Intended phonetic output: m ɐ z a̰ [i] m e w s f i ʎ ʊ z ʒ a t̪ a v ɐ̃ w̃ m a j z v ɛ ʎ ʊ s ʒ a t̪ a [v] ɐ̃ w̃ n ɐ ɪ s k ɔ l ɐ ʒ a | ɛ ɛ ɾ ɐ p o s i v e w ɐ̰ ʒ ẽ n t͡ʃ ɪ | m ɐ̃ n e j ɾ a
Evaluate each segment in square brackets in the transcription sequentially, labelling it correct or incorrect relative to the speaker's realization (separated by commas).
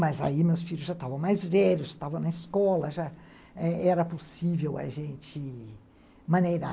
correct, correct